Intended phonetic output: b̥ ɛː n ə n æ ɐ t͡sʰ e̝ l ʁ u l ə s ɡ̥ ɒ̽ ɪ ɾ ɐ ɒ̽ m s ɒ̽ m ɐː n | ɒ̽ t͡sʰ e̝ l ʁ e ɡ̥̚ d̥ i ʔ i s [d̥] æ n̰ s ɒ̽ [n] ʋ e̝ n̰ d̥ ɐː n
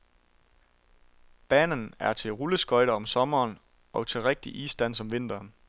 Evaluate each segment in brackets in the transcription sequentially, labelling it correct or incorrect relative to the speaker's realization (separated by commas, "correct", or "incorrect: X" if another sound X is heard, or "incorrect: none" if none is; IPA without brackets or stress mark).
correct, incorrect: m